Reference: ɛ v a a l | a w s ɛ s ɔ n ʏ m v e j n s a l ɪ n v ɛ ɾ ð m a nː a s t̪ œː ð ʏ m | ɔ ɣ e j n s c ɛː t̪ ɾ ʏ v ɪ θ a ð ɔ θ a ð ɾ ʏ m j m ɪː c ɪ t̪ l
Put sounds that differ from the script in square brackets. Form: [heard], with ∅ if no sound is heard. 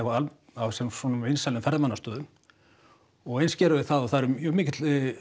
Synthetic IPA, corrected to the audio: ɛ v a a l | a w s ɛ s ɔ n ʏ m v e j n s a l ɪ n [f] ɛ ɾ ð m a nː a s t̪ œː ð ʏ m | ɔ ɣ e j n s c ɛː [∅] ɾ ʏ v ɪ θ a ð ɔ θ a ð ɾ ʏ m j m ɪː c ɪ t̪ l